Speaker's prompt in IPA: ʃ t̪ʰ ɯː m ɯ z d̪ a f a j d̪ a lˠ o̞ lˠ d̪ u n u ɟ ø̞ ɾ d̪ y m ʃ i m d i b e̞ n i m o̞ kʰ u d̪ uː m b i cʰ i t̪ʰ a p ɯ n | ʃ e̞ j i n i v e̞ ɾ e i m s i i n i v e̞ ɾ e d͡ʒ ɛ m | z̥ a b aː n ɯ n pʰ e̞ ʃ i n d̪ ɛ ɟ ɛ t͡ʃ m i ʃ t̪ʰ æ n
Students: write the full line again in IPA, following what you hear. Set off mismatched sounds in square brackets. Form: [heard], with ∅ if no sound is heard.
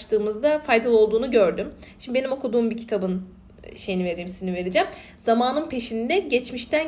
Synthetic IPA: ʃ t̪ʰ ɯː m ɯ z d̪ a f a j d̪ a lˠ o̞ lˠ d̪ [uː] n u ɟ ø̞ ɾ d̪ y m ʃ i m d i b e̞ n i m o̞ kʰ u d̪ uː m b i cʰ i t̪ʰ a [b] ɯ n | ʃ e̞ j i n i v e̞ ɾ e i m s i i n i v e̞ ɾ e d͡ʒ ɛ m | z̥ a [m] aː n ɯ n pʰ e̞ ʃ i n d̪ ɛ ɟ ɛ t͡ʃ m i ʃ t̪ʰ æ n